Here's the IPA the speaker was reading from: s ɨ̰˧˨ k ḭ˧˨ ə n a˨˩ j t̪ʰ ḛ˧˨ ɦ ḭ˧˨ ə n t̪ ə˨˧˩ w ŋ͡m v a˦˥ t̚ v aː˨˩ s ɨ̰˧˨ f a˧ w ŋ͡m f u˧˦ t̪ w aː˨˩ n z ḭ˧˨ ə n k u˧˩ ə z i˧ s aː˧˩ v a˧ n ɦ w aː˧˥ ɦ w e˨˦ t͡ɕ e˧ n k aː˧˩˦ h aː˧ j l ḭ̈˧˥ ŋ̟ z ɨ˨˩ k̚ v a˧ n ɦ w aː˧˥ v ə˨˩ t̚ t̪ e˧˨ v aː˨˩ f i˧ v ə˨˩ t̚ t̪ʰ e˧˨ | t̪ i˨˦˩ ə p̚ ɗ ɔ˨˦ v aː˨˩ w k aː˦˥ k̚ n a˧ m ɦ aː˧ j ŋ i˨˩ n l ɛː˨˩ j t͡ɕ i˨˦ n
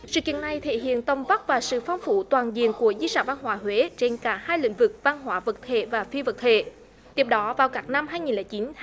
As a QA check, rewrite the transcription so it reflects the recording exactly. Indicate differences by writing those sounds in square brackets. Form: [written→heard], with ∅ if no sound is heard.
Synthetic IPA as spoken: s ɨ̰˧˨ k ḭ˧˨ ə n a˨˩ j t̪ʰ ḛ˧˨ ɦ ḭ˧˨ ə n t̪ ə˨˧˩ w ŋ͡m v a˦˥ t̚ v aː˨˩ s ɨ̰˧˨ f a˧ w ŋ͡m f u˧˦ t̪ w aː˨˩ n z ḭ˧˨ ə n k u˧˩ ə z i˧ s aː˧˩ v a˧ n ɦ w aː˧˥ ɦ w e˨˦ t͡ɕ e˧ n k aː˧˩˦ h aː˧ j l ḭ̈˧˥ ŋ̟ [z→v] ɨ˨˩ k̚ v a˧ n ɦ w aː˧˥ v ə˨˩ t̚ [t̪→t̪ʰ] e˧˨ v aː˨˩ f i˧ v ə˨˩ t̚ t̪ʰ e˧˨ | t̪ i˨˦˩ ə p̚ ɗ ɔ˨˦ v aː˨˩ w k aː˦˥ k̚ n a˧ m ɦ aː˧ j ŋ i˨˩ n l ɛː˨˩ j t͡ɕ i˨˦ n

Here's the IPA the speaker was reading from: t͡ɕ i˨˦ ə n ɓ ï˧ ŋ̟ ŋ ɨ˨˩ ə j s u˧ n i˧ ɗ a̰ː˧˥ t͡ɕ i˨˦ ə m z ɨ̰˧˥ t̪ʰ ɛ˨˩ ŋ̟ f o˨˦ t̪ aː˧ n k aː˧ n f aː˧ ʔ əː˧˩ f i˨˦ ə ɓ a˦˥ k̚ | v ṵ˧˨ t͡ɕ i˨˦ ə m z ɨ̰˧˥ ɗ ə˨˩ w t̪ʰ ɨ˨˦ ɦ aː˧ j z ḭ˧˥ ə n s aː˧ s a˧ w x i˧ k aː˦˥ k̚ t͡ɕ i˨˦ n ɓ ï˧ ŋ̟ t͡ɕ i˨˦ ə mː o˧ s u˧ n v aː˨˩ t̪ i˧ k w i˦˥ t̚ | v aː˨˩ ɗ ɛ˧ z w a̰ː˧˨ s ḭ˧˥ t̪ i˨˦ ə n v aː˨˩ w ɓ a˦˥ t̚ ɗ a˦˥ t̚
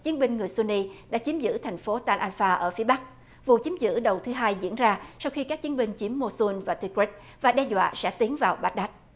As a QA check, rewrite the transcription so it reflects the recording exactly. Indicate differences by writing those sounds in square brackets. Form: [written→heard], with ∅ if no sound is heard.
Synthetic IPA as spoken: t͡ɕ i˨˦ ə n ɓ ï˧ ŋ̟ ŋ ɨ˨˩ ə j s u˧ n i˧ ɗ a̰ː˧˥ t͡ɕ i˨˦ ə m z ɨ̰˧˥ t̪ʰ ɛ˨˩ ŋ̟ f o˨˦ t̪ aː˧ n [k→ʔ] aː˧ n f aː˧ ʔ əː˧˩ f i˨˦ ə ɓ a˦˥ k̚ | v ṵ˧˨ t͡ɕ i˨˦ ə m z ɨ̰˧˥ ɗ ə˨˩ w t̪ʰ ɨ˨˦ ɦ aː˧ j z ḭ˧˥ ə n [s→z] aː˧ s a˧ w x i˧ k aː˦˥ k̚ t͡ɕ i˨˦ n ɓ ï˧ ŋ̟ t͡ɕ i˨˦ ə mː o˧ s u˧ n v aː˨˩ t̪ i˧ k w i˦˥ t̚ | v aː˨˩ ɗ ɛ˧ z w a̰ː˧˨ s [ḭ˧˥→ɛ̰˧˥] t̪ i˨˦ ə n v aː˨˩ w ɓ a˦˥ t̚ ɗ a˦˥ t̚

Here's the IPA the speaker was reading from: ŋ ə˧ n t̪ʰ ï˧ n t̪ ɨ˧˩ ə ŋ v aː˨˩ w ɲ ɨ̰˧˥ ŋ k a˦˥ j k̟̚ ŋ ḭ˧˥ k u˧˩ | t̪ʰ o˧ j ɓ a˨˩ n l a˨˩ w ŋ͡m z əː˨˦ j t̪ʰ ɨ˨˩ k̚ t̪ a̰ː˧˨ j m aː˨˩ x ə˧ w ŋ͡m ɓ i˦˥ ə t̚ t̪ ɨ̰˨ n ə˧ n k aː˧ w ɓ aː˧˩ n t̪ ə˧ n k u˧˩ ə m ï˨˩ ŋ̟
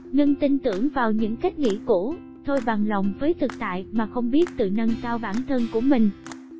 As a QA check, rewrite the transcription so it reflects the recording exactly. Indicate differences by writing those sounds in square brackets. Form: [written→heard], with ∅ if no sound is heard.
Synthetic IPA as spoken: ŋ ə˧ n [t̪ʰ→t̪] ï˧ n t̪ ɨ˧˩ ə ŋ v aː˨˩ w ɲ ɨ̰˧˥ ŋ k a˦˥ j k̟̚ ŋ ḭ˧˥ k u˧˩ | t̪ʰ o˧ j ɓ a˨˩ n l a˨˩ w ŋ͡m [z→v] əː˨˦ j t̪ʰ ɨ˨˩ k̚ t̪ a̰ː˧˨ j m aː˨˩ x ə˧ w ŋ͡m ɓ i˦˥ ə t̚ t̪ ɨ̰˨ n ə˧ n k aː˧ w ɓ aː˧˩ n [t̪→t̪ʰ] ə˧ n k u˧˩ ə m ï˨˩ ŋ̟

